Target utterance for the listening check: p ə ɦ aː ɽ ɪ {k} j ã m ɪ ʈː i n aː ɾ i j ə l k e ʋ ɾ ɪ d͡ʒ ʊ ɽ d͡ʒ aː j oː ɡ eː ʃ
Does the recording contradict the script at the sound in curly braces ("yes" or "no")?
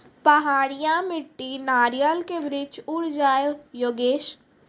yes